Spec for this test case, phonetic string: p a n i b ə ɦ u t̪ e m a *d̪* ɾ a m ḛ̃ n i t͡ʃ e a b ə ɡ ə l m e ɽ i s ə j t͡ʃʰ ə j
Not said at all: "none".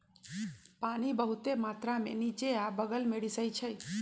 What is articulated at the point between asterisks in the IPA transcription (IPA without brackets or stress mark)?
t̪